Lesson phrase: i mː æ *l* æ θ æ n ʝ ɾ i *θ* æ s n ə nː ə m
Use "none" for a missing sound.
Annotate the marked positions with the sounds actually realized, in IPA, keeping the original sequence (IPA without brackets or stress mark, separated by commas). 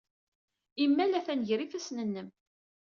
l, f